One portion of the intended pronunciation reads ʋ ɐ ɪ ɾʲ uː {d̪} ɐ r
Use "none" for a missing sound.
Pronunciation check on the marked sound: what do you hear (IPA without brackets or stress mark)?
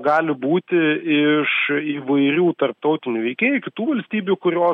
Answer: t̪